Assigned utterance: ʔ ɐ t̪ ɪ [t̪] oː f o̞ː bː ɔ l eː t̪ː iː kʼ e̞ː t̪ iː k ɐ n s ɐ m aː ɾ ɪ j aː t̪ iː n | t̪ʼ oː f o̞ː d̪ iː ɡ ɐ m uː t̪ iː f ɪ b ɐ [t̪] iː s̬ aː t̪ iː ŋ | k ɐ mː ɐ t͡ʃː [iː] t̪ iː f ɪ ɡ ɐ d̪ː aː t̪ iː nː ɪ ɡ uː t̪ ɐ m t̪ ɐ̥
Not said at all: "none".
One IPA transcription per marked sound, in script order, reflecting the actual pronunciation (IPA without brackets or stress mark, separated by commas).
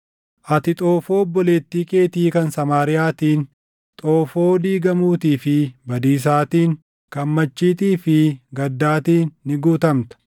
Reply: t̪ʼ, d̪, iː